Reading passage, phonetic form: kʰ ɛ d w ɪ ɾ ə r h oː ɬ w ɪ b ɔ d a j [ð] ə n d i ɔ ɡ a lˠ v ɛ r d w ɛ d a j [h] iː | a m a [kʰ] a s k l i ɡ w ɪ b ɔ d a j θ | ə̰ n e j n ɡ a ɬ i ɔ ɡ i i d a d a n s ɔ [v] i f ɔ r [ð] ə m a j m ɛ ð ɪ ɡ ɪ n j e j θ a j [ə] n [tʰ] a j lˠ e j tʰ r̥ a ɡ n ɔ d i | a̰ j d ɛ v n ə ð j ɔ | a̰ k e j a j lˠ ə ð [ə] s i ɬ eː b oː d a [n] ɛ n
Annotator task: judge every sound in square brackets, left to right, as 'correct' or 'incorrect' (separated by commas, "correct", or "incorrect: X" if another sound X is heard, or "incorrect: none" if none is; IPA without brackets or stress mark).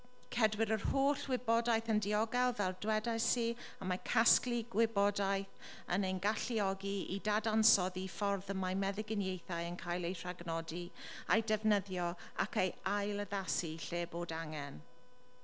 incorrect: θ, incorrect: s, correct, incorrect: ð, correct, correct, incorrect: kʰ, incorrect: a, incorrect: ŋ